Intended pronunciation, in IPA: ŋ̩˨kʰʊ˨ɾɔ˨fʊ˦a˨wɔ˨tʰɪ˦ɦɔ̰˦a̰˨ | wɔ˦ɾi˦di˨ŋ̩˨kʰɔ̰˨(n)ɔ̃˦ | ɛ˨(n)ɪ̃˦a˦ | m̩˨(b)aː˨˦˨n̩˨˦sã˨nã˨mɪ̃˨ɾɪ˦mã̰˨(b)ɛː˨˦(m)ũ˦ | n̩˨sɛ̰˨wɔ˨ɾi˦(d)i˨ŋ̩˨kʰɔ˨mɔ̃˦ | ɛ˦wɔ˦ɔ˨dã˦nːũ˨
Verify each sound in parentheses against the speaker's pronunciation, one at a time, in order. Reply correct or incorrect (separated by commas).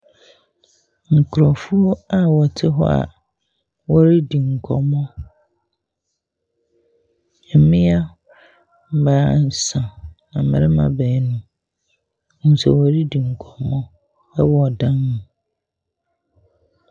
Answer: incorrect, incorrect, correct, correct, incorrect, correct